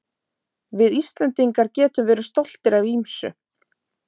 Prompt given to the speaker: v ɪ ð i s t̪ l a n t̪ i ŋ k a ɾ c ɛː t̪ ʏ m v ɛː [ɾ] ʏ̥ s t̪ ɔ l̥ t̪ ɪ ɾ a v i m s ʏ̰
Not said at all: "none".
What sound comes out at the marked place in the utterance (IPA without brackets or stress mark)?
ɾ